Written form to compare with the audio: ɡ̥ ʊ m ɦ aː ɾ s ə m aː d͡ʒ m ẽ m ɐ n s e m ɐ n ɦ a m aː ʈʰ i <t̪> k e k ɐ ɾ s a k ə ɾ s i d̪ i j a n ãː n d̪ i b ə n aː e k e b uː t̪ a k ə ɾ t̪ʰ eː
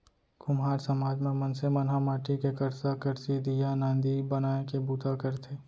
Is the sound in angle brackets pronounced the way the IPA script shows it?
no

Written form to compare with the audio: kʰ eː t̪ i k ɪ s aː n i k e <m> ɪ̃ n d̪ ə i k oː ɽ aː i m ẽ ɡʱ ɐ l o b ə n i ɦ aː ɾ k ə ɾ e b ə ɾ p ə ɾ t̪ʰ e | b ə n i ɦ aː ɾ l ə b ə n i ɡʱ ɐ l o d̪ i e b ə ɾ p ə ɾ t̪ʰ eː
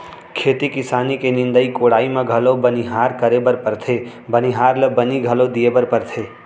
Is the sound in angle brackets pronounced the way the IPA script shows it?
no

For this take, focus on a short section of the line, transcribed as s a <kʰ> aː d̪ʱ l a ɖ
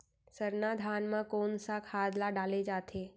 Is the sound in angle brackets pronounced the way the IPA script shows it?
yes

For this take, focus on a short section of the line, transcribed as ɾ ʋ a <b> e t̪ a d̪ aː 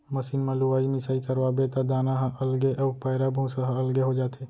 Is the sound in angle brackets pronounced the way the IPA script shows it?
yes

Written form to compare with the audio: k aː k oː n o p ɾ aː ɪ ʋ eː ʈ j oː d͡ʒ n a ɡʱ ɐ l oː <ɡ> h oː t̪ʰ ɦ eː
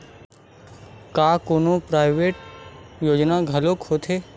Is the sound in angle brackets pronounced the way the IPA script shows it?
no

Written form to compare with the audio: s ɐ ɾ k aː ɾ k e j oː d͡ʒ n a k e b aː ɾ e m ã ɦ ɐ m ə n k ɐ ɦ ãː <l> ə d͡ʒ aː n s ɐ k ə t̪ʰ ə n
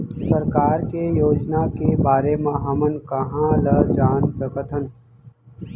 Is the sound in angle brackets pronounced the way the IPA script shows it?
yes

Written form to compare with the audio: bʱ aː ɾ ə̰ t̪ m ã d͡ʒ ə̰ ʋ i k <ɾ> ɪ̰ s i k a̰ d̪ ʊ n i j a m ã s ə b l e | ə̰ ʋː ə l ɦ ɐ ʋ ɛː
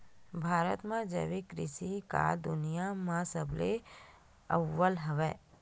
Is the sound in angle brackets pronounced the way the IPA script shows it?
yes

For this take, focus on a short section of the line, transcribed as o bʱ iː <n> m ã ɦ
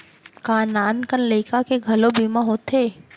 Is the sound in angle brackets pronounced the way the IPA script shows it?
no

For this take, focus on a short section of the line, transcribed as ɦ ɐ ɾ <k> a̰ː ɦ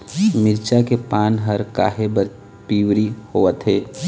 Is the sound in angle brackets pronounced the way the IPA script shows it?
yes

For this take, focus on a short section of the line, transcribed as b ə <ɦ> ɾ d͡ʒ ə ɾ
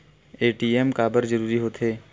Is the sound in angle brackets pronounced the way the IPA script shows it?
no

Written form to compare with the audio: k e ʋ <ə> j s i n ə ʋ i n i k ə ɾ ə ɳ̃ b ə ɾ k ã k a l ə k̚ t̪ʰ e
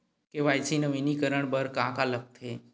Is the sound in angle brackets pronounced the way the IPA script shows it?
no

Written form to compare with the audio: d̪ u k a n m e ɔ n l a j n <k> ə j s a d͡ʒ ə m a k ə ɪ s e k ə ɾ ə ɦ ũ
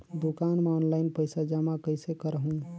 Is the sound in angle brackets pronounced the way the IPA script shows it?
no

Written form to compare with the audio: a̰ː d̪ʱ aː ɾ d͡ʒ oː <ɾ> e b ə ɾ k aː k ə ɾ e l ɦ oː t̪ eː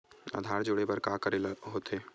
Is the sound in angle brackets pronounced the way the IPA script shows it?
no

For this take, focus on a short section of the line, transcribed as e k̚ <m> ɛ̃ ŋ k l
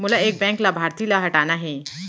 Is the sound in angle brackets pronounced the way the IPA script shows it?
no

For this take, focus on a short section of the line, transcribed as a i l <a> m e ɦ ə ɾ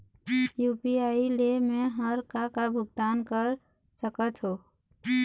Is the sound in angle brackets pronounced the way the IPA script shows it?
no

